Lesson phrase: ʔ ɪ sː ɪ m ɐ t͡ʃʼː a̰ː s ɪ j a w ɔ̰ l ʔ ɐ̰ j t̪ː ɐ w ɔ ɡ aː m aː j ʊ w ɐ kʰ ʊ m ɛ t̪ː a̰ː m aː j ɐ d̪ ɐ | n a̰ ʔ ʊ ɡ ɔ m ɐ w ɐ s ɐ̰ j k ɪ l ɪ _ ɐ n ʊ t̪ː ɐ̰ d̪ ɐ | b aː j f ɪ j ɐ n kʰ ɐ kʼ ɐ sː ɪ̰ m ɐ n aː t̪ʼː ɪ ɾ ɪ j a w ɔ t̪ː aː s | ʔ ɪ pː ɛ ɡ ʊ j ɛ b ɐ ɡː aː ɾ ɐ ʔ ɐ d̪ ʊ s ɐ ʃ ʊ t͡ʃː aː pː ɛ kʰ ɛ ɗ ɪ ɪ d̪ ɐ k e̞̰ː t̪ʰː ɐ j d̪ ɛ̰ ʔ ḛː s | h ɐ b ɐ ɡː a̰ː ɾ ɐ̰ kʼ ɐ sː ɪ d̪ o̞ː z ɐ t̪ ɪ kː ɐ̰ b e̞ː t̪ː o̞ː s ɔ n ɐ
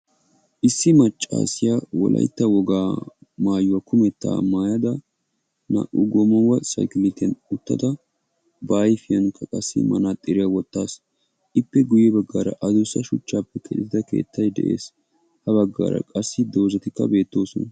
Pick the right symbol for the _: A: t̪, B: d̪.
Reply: A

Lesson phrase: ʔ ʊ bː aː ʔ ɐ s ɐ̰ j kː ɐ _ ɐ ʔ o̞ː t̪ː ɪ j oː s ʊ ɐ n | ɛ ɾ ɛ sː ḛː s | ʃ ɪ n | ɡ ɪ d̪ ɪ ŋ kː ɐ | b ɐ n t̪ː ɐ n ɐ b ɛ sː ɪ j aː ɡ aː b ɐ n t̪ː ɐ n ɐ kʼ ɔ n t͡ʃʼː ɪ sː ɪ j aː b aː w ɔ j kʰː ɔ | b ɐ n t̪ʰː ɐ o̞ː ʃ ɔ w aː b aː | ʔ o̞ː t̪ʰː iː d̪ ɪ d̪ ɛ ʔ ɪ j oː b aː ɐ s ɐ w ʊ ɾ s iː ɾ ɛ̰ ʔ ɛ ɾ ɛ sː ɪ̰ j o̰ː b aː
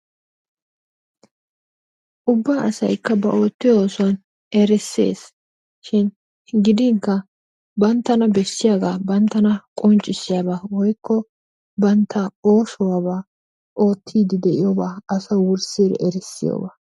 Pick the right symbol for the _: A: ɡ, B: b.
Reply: B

